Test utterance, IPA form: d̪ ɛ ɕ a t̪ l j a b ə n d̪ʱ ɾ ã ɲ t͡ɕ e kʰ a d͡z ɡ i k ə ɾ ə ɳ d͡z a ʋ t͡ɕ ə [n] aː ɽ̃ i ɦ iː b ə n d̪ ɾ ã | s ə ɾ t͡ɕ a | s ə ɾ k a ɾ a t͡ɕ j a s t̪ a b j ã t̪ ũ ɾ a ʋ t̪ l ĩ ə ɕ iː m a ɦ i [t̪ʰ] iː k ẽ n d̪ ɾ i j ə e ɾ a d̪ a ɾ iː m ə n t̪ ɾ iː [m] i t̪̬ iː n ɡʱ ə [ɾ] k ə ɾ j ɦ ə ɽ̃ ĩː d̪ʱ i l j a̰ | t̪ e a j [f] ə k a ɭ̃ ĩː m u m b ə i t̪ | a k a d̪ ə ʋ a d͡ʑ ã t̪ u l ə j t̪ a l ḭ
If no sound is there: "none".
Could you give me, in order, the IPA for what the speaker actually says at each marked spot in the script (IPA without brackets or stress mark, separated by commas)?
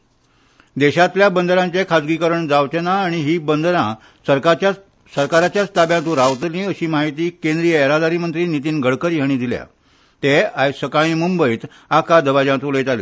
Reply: n, t̪, n, ɽ, s